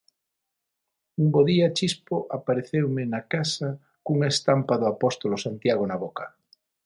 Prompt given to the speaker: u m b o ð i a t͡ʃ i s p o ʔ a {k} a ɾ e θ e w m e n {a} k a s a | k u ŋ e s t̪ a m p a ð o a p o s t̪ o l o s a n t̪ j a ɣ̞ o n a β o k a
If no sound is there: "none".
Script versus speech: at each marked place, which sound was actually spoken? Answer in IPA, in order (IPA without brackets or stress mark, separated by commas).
p, a